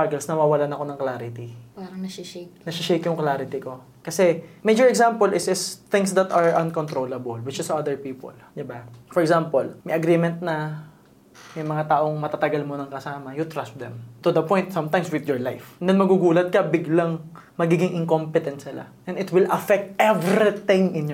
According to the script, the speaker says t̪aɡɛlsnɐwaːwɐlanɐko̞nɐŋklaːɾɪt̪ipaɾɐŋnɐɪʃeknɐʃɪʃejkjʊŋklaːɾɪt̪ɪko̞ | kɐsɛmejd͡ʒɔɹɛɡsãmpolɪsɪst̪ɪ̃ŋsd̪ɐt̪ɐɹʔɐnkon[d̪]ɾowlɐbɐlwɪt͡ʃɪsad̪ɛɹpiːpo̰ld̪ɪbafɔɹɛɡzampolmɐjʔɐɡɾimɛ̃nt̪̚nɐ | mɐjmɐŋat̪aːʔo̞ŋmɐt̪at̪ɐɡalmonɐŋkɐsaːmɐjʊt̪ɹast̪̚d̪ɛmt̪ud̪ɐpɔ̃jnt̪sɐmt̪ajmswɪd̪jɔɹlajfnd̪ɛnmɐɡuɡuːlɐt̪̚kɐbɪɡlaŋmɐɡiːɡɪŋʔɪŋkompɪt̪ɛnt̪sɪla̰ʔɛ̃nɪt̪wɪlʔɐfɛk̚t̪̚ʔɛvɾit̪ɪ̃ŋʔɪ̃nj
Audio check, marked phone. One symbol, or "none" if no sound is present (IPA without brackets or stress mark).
t̪